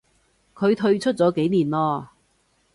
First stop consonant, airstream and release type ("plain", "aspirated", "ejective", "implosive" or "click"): aspirated